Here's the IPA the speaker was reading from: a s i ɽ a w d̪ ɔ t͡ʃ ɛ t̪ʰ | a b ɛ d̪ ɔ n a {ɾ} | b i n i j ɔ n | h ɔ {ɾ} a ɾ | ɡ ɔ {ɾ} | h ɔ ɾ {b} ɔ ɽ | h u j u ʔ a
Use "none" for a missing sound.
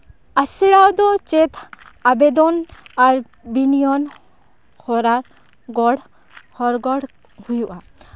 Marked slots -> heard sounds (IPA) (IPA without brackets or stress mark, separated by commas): ɾ, ɾ, ɽ, ɡ